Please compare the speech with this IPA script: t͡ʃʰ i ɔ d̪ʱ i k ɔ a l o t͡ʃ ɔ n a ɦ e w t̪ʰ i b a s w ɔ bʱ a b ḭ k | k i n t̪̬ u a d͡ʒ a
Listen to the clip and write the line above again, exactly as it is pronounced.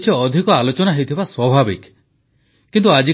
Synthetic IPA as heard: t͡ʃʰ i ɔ d̪ʱ i k ɔ a l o t͡ʃ ɔ n a ɦ e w t̪ʰ i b a s w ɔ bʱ a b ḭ k | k i n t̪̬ u a d͡ʒ i